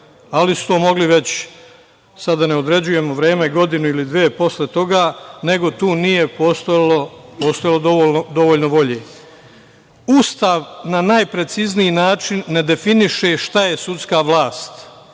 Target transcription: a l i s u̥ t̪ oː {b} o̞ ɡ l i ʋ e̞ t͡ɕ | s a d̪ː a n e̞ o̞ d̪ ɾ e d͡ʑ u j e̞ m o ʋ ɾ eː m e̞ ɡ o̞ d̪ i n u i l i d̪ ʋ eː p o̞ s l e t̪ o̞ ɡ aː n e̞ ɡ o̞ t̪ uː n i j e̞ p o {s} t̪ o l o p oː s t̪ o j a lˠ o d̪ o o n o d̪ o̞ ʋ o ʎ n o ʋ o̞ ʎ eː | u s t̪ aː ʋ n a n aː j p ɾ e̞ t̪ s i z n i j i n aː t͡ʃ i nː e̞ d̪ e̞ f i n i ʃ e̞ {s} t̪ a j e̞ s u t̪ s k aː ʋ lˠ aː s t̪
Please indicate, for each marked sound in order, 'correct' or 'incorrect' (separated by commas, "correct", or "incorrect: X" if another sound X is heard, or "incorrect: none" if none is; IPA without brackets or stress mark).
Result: incorrect: m, correct, incorrect: ʃ